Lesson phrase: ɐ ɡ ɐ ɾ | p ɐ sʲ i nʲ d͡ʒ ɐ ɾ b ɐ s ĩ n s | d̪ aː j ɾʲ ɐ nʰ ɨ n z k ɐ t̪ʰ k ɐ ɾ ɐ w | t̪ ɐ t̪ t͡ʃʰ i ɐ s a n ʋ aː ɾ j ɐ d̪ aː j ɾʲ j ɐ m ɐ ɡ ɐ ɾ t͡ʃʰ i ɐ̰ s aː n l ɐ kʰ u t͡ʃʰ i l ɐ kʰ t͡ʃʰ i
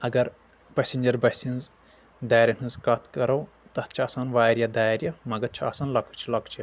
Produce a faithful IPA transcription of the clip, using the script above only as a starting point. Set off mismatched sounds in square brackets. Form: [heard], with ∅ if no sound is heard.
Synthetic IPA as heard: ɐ ɡ ɐ ɾ | p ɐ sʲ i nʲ d͡ʒ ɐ ɾ b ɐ s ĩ n [z] | d̪ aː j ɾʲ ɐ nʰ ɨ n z k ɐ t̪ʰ k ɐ ɾ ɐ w | t̪ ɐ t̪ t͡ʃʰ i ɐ s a n ʋ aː ɾ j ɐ d̪ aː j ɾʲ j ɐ m ɐ ɡ ɐ ɾ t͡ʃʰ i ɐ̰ s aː n l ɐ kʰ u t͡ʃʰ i l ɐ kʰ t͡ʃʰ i